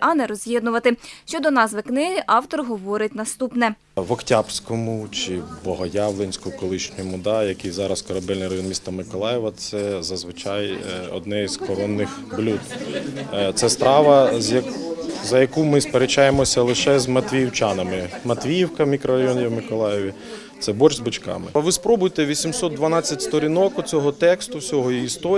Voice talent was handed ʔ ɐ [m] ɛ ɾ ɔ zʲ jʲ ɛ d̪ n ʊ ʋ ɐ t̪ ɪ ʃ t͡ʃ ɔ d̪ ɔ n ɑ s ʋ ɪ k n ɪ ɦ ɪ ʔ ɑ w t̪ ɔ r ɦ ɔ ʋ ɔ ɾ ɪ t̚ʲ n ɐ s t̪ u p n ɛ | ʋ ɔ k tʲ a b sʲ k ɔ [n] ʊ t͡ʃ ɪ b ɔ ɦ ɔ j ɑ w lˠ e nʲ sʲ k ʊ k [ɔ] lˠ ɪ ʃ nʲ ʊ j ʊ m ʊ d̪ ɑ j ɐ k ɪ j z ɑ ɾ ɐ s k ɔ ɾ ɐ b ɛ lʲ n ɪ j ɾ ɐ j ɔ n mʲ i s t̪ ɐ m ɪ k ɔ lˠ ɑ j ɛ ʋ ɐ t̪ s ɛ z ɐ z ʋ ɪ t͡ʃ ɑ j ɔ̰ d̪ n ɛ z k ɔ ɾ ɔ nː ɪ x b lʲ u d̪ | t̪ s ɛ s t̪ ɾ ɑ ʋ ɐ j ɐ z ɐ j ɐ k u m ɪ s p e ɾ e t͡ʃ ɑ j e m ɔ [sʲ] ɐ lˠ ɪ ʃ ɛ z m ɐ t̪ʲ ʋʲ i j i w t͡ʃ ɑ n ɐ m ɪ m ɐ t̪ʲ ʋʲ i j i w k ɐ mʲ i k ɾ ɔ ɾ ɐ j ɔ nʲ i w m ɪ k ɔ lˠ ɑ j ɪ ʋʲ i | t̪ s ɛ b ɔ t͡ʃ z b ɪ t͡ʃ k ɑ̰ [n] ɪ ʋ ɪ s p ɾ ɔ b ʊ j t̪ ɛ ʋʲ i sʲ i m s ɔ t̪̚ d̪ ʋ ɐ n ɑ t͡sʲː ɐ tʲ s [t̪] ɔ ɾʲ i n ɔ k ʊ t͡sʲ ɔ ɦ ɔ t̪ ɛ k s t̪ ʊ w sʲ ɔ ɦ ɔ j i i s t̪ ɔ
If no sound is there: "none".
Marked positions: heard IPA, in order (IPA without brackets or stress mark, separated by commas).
n, m, ɔ, sʲ, m, t̪